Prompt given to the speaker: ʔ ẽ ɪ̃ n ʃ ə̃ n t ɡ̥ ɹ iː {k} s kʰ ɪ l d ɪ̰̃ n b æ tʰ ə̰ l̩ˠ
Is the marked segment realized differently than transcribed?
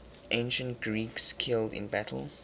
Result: no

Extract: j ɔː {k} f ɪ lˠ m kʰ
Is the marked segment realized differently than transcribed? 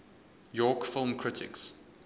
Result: no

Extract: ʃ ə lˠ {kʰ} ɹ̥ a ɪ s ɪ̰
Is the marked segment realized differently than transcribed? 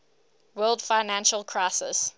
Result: no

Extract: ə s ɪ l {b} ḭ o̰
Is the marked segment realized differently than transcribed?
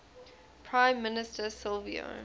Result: yes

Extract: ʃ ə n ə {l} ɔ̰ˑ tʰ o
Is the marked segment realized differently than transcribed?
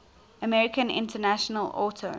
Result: no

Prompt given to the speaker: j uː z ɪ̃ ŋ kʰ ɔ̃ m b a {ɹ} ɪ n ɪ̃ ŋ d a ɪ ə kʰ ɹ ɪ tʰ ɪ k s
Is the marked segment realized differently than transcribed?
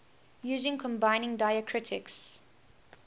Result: yes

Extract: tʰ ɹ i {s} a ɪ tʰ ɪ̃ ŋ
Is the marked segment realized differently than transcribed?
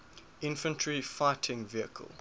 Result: yes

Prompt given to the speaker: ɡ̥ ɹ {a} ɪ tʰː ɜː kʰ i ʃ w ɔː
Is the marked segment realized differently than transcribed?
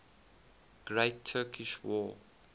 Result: yes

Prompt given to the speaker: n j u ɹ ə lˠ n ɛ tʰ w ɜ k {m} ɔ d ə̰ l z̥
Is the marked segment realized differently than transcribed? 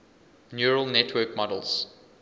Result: no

